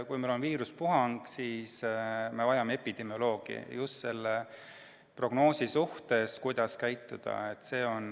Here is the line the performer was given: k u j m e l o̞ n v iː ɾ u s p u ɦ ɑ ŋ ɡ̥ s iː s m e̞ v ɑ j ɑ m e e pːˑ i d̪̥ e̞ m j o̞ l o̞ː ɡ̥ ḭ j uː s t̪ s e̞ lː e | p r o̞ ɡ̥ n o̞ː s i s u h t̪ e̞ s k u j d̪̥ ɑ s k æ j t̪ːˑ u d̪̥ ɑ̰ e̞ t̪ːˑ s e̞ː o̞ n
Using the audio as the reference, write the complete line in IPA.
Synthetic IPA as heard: k u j m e l o̞ n v iː ɾ u s p u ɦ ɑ ŋ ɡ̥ s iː s m e̞ v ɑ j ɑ m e e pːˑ i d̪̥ e̞ m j o̞ l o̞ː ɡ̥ ḭ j u s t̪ s e̞ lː e | p r o̞ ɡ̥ n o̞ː s i s u h t̪ e̞ s k u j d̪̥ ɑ s k æ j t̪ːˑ u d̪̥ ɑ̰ e̞ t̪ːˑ s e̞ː o̞ n

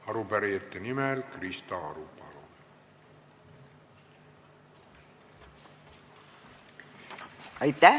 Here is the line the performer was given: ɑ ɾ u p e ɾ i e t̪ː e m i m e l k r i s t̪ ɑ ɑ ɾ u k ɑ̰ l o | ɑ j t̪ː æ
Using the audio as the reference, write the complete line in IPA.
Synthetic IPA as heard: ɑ ɾ u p æ ɾ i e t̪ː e n i m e l k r i s t̪ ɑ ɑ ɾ u p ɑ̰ l o | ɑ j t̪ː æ

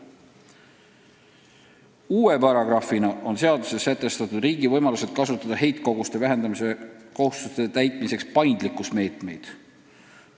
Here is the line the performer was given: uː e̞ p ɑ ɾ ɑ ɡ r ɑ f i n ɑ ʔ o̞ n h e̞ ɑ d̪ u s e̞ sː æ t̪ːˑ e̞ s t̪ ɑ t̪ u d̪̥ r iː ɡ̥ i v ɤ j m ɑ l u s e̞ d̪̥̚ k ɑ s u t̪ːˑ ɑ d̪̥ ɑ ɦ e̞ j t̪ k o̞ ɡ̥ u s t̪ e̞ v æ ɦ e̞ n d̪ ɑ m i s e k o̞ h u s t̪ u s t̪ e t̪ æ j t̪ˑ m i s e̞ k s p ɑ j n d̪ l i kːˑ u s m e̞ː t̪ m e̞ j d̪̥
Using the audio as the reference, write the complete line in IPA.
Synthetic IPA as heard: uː e̞ p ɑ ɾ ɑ ɡ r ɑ f i n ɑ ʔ o̞ n s e̞ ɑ d̪ u s e̞ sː æ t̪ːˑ e̞ s t̪ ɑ t̪ u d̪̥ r iː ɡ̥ i v ɤ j m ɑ l u s e̞ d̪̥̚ k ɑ s u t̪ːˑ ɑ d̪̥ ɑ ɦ e̞ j t̪ k o̞ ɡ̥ u s t̪ e̞ v æ ɦ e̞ n d̪ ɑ m i s e k o̞ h u s t̪ u s t̪ e t̪ æ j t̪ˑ m i s e̞ k s p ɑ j n d̪ l i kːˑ u s m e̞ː t̪ m e̞ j d̪̥

